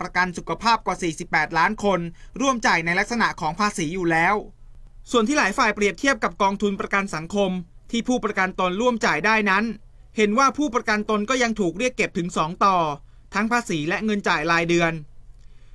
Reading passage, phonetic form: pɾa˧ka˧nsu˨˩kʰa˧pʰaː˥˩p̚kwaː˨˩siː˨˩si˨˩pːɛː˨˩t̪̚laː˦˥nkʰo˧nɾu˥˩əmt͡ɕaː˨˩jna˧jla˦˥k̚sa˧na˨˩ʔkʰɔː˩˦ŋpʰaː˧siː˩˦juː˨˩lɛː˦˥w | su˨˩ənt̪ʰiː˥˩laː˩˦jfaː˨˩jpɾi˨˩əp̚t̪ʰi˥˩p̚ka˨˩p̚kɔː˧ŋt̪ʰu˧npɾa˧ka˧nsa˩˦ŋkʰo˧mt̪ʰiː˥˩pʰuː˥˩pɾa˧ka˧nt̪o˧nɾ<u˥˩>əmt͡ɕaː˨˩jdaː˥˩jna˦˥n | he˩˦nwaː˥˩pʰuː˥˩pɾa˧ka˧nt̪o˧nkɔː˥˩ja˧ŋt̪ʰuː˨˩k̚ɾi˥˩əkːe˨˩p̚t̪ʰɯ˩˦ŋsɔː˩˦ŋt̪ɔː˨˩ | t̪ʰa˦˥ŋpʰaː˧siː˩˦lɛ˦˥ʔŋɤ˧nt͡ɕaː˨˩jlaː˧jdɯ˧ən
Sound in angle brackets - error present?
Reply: no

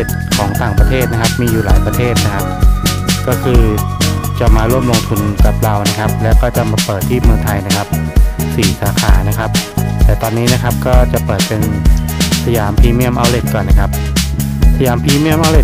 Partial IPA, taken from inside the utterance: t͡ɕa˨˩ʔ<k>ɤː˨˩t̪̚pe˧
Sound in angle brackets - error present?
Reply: yes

